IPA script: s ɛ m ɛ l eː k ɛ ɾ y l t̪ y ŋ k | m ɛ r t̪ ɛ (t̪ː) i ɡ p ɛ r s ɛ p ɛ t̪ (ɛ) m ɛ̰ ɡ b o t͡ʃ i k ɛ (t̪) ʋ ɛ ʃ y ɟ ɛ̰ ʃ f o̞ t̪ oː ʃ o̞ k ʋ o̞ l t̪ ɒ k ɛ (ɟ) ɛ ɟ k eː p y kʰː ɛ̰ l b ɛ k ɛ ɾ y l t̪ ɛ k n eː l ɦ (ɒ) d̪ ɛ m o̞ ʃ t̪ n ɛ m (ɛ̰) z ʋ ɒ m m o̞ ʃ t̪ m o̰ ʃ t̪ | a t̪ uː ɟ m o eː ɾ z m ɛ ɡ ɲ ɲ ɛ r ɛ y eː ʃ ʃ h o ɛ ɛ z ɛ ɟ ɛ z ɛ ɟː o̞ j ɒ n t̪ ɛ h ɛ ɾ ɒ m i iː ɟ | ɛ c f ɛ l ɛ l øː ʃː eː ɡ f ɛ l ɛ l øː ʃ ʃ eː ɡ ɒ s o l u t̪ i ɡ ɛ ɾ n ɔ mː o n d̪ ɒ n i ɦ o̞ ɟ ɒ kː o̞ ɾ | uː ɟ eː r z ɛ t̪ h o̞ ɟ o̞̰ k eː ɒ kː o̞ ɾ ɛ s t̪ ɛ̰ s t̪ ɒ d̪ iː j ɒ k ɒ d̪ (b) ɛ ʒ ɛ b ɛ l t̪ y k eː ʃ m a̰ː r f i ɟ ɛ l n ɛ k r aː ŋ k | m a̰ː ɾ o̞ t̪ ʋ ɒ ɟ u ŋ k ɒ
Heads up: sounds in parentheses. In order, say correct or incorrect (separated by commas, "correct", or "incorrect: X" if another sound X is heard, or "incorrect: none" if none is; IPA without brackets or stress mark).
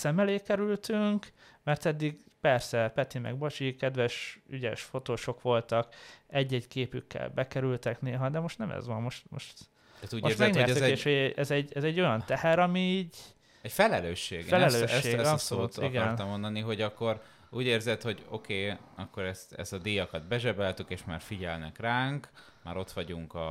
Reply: incorrect: d̪ː, incorrect: i, incorrect: d̪, incorrect: ɟː, correct, correct, correct